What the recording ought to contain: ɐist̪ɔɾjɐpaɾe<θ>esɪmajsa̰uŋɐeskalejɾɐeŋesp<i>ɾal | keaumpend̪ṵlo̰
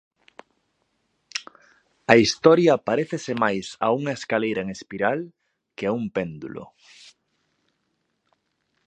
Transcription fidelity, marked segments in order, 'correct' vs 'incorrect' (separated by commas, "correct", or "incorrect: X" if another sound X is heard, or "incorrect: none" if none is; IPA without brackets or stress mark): correct, correct